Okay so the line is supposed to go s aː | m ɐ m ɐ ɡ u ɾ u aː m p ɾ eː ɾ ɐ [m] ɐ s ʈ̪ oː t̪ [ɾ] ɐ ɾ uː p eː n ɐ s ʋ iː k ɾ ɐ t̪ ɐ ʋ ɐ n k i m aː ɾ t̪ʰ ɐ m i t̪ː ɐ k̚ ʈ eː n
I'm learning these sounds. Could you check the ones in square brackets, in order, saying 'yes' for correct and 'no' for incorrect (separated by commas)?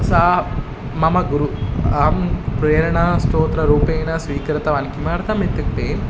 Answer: no, yes